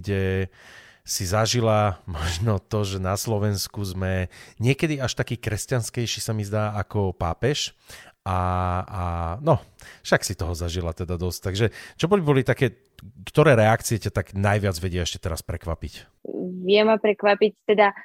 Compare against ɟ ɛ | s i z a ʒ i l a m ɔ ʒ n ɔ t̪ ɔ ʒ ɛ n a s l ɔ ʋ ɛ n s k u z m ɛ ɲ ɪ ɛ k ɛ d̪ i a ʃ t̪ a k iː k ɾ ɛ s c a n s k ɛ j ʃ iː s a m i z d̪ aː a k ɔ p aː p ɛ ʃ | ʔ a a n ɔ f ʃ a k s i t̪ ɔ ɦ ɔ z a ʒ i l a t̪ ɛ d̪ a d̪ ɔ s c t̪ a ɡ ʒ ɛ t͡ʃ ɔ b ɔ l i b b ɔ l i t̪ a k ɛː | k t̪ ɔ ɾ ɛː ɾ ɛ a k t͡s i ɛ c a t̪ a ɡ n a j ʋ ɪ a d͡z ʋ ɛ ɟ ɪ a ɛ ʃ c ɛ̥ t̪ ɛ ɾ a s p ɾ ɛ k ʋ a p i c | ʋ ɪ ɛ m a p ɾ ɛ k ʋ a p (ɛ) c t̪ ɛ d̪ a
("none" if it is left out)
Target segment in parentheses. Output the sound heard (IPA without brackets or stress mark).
i